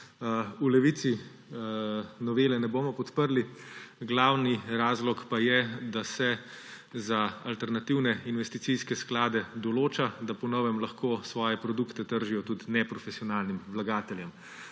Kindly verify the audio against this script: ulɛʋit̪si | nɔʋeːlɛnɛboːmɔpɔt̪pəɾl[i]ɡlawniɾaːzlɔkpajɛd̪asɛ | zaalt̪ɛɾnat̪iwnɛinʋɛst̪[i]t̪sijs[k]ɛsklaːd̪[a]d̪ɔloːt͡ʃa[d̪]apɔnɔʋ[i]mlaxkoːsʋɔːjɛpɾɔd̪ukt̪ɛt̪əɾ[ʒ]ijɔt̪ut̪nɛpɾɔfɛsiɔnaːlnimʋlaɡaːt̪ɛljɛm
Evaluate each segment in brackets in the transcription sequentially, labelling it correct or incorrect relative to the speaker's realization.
correct, correct, correct, incorrect, correct, incorrect, correct

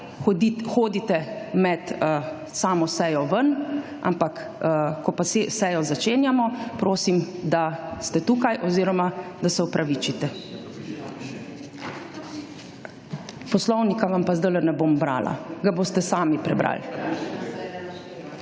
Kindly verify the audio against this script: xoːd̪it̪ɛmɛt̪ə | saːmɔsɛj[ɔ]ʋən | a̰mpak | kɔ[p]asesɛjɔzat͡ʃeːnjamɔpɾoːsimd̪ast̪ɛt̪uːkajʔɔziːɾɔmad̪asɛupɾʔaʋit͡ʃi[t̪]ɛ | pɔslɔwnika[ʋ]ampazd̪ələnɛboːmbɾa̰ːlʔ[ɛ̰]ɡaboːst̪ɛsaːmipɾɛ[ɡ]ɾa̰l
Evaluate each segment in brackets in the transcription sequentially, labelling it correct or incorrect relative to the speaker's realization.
correct, correct, correct, correct, incorrect, incorrect

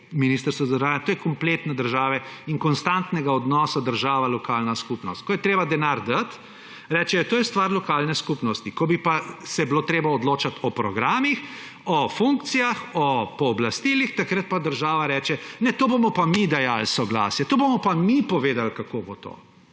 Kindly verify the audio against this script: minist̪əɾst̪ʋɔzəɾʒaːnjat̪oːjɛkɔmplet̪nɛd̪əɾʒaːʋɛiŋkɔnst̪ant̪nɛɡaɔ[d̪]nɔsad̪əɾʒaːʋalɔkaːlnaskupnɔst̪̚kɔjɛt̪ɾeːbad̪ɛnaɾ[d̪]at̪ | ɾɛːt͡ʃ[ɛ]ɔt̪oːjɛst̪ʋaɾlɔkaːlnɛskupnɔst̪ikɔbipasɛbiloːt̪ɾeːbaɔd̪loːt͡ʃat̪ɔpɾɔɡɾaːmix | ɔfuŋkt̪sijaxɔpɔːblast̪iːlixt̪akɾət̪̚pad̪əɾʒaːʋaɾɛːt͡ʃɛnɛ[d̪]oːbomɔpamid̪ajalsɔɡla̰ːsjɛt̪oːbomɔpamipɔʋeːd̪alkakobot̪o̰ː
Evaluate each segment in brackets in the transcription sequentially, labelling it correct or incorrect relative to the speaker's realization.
correct, correct, correct, incorrect

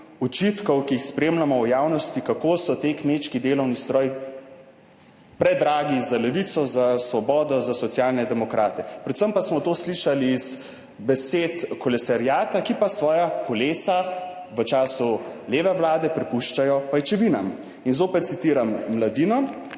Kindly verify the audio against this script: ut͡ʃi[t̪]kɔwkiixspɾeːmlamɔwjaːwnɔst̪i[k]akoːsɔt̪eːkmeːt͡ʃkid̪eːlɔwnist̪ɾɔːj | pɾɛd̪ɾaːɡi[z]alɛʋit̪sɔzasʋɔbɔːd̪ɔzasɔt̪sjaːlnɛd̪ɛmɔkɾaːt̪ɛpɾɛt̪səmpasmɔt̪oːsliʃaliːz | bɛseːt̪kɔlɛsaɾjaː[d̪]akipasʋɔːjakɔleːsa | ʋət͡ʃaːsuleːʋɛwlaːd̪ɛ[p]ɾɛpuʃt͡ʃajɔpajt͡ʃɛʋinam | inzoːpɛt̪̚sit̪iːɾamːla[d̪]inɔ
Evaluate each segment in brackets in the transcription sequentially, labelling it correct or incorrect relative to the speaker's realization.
correct, correct, correct, incorrect, correct, correct

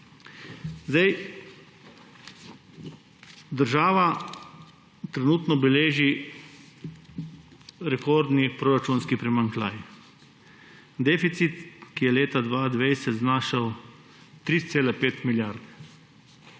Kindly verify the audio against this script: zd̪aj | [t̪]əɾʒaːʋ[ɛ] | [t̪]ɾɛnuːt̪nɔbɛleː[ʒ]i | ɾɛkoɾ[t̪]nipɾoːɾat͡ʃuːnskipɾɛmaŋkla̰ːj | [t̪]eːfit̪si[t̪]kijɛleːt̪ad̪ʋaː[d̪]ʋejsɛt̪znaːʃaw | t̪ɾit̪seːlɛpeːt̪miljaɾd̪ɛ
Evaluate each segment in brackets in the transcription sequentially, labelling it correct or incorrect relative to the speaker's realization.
incorrect, incorrect, correct, correct, incorrect, incorrect, correct, correct

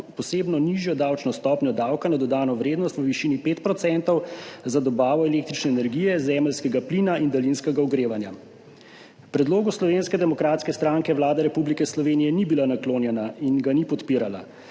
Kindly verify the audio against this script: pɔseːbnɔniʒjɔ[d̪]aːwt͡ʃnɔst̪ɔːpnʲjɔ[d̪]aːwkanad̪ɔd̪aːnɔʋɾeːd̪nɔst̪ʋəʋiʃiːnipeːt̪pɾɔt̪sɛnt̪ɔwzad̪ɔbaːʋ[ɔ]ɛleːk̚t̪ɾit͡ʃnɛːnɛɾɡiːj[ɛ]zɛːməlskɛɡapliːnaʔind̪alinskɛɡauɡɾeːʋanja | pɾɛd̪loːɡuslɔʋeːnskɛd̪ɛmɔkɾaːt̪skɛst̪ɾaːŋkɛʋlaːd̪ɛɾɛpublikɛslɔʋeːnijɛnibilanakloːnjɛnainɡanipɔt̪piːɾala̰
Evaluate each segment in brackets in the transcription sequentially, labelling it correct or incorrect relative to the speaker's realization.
correct, correct, correct, correct

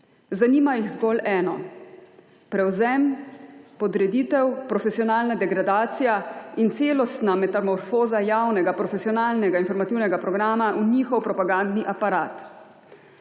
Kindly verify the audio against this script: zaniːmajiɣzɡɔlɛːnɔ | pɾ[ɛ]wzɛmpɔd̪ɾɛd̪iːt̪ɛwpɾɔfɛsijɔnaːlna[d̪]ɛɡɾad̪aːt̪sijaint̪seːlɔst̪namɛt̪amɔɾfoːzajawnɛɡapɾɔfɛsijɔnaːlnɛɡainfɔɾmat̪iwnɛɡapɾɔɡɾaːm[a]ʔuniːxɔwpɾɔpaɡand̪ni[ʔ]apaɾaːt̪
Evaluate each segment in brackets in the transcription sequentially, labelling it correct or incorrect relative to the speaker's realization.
correct, correct, correct, correct

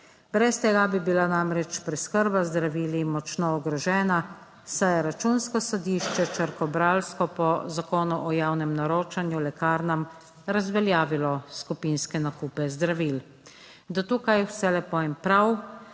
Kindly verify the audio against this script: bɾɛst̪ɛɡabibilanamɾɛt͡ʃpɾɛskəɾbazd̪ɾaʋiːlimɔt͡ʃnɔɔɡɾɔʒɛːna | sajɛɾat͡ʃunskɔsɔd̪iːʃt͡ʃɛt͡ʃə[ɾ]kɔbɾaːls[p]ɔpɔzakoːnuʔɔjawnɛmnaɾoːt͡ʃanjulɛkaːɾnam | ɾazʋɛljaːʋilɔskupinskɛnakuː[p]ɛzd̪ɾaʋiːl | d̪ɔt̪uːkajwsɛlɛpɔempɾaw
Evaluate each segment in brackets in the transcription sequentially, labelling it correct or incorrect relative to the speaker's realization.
correct, incorrect, correct

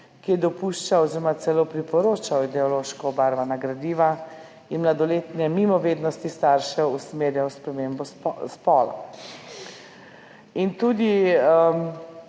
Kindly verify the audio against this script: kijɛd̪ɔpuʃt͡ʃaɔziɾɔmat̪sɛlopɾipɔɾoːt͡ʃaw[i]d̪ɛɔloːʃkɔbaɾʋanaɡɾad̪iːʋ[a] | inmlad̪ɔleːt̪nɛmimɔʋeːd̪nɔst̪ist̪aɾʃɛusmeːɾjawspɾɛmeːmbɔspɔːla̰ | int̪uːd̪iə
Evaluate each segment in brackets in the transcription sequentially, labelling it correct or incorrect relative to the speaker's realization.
correct, correct

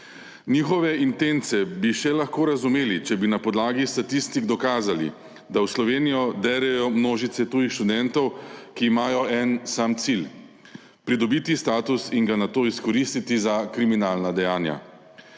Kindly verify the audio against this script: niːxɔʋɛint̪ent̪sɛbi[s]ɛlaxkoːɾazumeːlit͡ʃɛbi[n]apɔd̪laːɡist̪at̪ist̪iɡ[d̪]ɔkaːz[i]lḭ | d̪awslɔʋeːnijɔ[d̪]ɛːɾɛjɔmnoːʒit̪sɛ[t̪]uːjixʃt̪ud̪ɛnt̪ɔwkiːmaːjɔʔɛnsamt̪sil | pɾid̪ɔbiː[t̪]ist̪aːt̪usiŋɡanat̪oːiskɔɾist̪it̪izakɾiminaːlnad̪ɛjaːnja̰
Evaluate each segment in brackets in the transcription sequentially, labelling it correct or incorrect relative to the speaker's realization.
incorrect, correct, correct, incorrect, correct, correct, correct

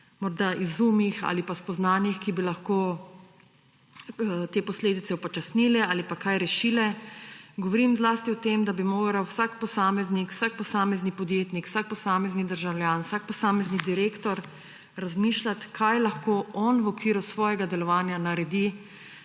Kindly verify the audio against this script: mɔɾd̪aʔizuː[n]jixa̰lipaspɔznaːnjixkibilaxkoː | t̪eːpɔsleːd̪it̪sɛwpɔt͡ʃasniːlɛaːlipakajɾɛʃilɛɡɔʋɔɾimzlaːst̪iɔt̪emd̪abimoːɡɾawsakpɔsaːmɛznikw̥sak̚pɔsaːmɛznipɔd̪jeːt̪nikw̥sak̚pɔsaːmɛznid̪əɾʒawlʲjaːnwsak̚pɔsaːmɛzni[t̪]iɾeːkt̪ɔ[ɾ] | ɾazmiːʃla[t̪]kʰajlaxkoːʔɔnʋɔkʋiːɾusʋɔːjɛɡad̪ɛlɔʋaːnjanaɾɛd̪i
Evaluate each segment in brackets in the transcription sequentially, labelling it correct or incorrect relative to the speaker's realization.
incorrect, incorrect, correct, correct

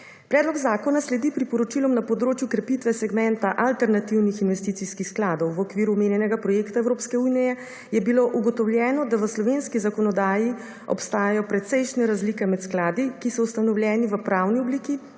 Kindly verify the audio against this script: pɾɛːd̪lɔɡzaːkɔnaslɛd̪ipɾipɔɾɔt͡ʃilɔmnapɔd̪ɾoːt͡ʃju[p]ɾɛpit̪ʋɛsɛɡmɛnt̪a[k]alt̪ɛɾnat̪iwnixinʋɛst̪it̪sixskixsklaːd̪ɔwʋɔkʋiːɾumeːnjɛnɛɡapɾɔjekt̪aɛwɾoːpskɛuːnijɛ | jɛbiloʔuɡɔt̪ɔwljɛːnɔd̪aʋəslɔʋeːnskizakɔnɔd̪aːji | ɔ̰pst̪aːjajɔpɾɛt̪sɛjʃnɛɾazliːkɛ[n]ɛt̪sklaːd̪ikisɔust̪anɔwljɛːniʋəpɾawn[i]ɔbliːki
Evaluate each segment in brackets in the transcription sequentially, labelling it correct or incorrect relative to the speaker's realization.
incorrect, incorrect, incorrect, correct

